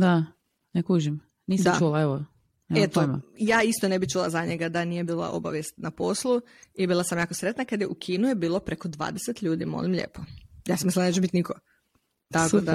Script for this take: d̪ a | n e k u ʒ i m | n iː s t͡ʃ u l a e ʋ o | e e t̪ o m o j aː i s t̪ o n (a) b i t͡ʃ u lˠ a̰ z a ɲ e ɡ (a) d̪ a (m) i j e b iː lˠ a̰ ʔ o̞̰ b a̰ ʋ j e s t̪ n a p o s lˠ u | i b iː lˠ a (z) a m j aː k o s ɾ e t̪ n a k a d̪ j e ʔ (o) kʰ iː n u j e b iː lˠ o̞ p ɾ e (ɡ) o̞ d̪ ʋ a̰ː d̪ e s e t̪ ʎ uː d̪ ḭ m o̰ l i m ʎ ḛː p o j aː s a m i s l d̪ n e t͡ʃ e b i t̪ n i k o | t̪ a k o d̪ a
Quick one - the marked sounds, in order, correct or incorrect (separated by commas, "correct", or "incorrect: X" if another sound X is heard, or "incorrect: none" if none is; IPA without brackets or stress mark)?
incorrect: e, correct, incorrect: n, incorrect: s, incorrect: u, incorrect: k